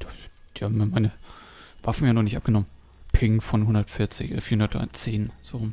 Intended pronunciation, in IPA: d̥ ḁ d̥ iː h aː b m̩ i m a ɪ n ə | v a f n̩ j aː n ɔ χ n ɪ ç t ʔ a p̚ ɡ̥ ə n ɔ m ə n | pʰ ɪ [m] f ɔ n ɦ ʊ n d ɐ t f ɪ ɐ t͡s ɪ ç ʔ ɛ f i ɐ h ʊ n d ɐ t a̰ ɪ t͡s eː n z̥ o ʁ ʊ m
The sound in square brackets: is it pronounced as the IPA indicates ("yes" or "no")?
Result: no